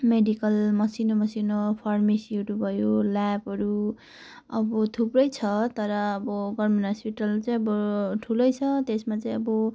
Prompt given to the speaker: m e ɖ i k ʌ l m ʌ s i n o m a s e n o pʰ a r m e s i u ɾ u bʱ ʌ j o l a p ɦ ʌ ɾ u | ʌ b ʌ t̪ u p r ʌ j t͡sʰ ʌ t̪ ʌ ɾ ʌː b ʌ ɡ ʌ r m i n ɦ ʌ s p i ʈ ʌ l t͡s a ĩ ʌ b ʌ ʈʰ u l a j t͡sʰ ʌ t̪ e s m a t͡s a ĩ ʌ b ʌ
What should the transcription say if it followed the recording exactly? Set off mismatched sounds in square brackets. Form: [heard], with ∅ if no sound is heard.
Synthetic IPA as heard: m e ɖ i k ʌ l m ʌ s i n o m [ʌ] s [i] n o pʰ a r m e s i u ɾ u bʱ ʌ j o l a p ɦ ʌ ɾ u | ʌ b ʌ [t̪ʰ] u p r ʌ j t͡sʰ ʌ t̪ ʌ ɾ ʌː b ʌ ɡ ʌ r m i n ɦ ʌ s p i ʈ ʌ l t͡s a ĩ ʌ b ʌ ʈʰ u l [ʌ] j t͡sʰ ʌ t̪ e s m a t͡s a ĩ ʌ b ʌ